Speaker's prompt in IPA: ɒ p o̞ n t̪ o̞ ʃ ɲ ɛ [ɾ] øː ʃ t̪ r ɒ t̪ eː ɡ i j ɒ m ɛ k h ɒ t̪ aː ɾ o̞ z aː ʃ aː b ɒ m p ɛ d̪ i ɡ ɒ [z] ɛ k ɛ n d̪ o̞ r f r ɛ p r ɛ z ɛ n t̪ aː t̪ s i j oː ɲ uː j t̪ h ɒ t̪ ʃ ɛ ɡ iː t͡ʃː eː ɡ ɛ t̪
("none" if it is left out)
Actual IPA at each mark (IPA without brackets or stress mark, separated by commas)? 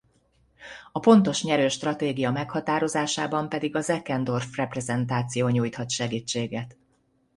ɾ, z